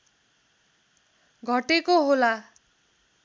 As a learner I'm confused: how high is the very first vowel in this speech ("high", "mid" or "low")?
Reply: mid